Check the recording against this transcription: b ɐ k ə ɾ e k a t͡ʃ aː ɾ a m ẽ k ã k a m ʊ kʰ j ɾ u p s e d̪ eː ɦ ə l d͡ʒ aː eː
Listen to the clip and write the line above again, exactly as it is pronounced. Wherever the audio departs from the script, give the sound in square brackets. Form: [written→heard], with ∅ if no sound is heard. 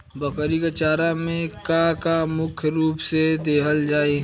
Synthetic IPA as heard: b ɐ k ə ɾ [e→i] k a t͡ʃ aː ɾ a m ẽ k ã k a m ʊ kʰ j ɾ [u→uː] p s e d̪ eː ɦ ə l d͡ʒ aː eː